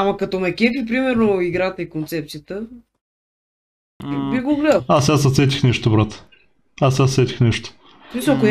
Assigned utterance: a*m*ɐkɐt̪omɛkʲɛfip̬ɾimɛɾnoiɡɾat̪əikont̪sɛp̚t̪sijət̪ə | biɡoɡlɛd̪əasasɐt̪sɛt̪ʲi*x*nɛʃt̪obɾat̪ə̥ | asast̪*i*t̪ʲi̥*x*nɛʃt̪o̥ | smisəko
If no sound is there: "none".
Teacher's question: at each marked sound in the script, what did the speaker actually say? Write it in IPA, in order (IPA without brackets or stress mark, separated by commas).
m, x, ɛ, x